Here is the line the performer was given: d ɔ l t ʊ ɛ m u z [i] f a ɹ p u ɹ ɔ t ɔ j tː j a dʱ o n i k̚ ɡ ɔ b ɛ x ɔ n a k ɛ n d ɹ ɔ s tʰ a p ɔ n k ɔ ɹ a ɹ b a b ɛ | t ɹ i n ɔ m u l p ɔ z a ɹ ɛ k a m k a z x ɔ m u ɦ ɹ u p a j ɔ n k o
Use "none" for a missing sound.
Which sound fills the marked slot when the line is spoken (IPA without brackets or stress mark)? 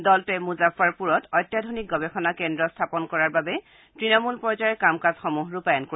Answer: a